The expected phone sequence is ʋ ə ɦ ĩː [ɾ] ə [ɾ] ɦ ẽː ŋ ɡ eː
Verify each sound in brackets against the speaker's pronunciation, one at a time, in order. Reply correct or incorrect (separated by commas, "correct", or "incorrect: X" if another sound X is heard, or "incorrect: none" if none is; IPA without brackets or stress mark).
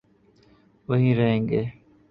correct, incorrect: none